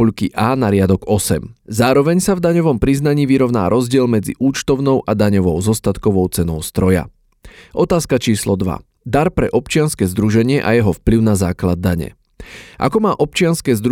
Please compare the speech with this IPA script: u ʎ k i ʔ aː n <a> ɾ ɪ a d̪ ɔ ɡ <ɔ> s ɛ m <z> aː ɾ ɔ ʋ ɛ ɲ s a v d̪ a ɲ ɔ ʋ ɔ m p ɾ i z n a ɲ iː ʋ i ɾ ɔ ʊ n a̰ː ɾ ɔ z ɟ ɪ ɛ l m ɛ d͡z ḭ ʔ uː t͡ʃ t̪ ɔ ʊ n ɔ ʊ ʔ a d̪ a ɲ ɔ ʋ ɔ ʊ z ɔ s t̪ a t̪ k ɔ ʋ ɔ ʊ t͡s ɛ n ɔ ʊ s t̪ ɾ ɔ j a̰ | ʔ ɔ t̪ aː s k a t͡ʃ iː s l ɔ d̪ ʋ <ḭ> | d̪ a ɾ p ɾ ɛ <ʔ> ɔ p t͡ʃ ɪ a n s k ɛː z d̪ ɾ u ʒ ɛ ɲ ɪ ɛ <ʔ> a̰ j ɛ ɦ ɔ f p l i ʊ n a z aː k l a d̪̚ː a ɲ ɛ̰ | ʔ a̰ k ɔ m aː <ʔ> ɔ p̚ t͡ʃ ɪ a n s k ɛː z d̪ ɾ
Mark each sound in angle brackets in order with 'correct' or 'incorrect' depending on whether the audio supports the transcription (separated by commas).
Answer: correct, correct, correct, incorrect, correct, correct, correct